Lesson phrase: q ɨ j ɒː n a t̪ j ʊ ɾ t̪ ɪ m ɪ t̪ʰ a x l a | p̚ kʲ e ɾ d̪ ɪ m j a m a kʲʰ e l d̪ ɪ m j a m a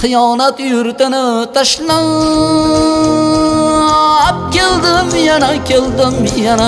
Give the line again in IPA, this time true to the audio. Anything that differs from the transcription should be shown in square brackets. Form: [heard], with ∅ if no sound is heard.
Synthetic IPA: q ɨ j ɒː n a t̪ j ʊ ɾ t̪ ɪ [n] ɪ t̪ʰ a [ʃ] l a | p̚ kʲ e [l] d̪ ɪ m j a [n] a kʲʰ e l d̪ ɪ m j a [n] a